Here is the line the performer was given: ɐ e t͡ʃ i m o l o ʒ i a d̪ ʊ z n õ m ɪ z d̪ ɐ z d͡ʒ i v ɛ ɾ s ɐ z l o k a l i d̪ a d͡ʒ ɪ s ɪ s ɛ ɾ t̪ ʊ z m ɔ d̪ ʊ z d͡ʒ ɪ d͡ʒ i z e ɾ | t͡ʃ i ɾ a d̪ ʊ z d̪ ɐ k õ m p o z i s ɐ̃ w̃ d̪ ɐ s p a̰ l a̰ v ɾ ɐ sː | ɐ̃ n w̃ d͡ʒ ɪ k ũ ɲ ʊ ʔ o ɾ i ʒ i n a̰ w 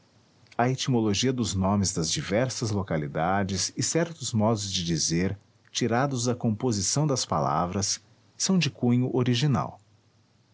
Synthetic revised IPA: ɐ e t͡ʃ i m o l o ʒ i ɐ d̪ ʊ z n õ m ɪ z d̪ ɐ z d͡ʒ i v ɛ ɾ s ɐ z l o k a l i d̪ a d͡ʒ ɪ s ɪ s ɛ ɾ t̪ ʊ z m ɔ d̪ ʊ z d͡ʒ ɪ d͡ʒ i z e ɾ | t͡ʃ i ɾ a d̪ ʊ z d̪ ɐ k õ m p o z i s ɐ̃ w̃ d̪ ɐ s p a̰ l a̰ v ɾ ɐ sː | ɐ̃ w̃ d͡ʒ ɪ k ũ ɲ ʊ ʔ o ɾ i ʒ i n a̰ w

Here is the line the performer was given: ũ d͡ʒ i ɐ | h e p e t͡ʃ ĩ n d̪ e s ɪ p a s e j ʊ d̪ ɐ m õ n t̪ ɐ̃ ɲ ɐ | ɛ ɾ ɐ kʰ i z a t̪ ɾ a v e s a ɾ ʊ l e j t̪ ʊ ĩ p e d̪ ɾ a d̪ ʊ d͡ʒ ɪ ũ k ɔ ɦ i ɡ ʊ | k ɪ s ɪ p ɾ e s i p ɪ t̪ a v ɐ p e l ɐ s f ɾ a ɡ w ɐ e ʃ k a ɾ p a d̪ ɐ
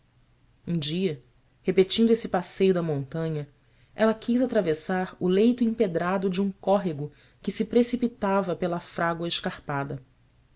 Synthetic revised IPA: ũ d͡ʒ i ɐ | h e p e t͡ʃ ĩ n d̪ e s ɪ p a s e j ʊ d̪ ɐ m õ n t̪ ɐ̃ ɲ ɐ | ɛ l ɐ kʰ i z a t̪ ɾ a v e s a ɾ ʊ l e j t̪ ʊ ĩ p e d̪ ɾ a d̪ ʊ d͡ʒ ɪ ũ k ɔ ɦ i ɡ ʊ | k ɪ s ɪ p ɾ e s i p i t̪ a v ɐ p e l ɐ f ɾ a ɡ w ɐ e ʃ k a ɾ p a d̪ ɐ

